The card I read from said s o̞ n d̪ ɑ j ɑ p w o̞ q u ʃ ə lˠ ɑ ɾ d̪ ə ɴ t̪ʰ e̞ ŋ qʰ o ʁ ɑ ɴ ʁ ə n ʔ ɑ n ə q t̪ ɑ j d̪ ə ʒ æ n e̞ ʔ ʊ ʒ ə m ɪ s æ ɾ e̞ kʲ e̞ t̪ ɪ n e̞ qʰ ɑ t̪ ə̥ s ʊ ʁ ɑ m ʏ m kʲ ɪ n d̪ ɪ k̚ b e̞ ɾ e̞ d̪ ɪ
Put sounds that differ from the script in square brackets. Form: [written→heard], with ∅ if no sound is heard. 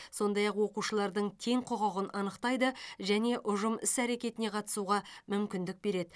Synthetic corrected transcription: s o̞ n d̪ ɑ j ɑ [p→q] w o̞ q u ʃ ə lˠ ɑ ɾ d̪ ə ɴ t̪ʰ e̞ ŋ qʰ o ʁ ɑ [ɴ→∅] ʁ ə n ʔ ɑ n ə q t̪ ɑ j d̪ ə ʒ æ n e̞ ʔ ʊ ʒ ə m ɪ s æ ɾ e̞ kʲ e̞ t̪ ɪ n e̞ qʰ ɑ t̪ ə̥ s [ʊ→u] ʁ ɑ m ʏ m kʲ ɪ n d̪ ɪ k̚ b e̞ ɾ e̞ d̪ ɪ